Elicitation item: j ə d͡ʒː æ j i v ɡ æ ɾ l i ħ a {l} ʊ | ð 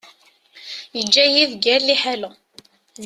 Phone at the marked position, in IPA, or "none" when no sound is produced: l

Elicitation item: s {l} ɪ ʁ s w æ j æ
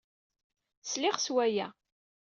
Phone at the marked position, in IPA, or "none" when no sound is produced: l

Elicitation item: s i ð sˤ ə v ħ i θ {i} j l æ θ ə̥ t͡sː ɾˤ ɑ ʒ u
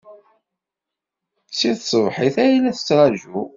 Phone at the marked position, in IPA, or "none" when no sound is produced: æ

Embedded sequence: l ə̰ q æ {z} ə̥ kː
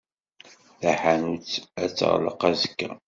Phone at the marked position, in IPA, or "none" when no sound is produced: z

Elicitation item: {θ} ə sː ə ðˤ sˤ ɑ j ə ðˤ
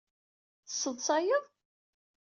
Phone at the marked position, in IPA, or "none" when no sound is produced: θ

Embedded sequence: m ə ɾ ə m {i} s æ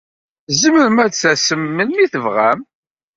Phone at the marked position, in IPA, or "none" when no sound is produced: æ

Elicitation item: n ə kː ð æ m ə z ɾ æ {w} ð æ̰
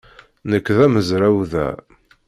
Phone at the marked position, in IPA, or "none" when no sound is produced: w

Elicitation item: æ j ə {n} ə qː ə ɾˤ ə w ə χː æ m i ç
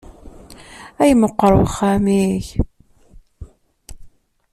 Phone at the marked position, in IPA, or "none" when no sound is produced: m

